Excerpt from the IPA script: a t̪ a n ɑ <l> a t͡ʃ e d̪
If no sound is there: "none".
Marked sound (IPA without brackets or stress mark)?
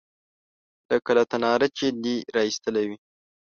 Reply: ɾ